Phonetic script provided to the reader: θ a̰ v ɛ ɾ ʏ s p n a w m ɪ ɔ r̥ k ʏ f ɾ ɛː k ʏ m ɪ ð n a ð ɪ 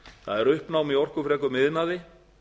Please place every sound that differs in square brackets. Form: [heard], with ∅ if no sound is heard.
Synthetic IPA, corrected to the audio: θ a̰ [ð] ɛ ɾ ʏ [h] p n a w m [i] ɔ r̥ k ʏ f ɾ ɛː k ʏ m ɪ ð n a ð ɪ